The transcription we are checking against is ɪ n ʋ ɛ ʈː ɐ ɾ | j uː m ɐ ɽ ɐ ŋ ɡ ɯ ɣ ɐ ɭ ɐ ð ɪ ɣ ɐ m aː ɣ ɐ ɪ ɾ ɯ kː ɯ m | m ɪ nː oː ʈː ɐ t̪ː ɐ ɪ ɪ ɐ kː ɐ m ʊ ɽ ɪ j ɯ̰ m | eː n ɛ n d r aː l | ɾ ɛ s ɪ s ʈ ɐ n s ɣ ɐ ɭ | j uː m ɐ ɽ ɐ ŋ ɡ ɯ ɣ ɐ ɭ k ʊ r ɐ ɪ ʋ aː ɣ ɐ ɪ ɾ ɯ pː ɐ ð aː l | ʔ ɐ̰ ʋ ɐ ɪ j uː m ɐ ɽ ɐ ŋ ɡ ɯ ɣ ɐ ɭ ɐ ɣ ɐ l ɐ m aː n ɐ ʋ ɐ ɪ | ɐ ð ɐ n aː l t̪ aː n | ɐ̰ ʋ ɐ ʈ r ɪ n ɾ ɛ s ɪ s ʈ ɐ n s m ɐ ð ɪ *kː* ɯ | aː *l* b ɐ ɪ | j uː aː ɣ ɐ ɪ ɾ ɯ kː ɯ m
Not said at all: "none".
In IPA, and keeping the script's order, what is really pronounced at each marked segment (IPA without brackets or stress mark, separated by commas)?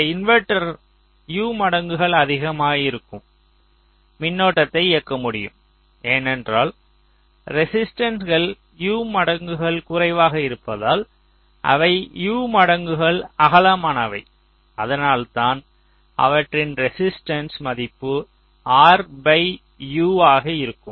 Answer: pː, ɾ